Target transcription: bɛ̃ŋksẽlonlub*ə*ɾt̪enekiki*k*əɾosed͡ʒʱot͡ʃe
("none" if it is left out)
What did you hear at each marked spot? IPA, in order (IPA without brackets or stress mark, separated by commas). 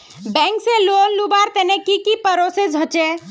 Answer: a, p